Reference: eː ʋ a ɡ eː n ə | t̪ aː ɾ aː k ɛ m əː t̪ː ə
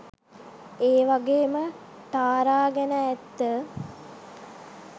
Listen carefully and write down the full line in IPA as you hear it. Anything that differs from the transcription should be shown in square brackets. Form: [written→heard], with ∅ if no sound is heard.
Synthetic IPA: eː ʋ a ɡ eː [n→m] ə | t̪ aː ɾ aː [k→ɡ] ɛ [m→n] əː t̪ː ə